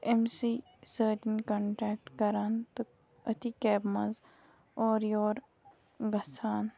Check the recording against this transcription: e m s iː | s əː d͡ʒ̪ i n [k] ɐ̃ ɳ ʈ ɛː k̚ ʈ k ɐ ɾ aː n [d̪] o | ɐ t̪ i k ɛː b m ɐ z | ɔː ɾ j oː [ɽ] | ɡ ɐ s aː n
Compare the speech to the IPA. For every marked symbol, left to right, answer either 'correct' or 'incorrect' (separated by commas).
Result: correct, incorrect, incorrect